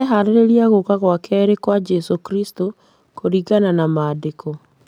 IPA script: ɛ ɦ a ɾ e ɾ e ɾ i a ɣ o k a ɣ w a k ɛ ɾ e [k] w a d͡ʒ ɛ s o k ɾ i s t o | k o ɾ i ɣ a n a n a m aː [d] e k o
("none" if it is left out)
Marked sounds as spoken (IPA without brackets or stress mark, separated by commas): k, d